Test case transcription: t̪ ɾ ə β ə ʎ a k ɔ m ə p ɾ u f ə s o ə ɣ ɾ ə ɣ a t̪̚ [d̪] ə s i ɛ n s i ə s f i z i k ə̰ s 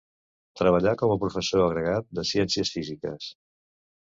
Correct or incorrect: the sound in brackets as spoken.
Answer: correct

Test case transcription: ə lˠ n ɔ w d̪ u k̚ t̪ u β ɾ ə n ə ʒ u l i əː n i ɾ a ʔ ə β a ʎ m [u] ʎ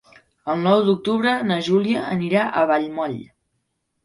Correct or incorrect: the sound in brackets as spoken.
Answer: incorrect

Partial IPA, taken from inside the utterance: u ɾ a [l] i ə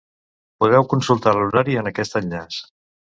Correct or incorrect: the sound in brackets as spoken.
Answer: incorrect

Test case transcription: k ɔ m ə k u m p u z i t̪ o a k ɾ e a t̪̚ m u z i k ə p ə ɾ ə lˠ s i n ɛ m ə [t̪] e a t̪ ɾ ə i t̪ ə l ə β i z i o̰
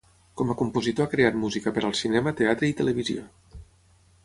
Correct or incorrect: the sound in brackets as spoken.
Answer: correct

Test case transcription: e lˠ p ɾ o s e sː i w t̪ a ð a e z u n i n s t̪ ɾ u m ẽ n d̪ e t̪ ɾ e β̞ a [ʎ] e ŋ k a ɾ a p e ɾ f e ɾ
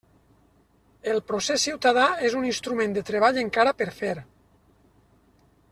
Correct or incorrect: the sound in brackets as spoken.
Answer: correct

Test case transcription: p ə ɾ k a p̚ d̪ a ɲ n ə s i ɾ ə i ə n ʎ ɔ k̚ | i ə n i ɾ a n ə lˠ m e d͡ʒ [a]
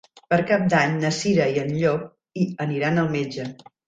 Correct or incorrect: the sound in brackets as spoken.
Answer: incorrect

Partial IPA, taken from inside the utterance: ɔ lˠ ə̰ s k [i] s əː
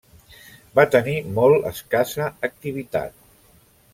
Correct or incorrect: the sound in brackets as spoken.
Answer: incorrect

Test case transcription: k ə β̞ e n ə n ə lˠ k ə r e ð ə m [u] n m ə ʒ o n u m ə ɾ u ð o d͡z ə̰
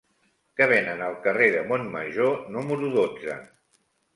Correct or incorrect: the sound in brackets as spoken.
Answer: incorrect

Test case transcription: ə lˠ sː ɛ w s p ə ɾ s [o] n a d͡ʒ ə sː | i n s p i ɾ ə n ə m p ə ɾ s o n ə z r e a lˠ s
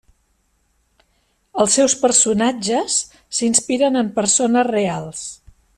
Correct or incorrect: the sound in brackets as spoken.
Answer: incorrect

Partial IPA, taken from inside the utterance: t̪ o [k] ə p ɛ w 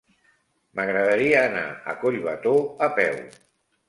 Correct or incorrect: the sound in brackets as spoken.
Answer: incorrect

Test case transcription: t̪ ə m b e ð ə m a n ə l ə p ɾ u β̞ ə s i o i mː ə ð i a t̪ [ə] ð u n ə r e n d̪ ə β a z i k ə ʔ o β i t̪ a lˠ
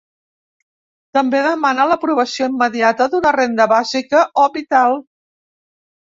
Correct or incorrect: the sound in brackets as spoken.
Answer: correct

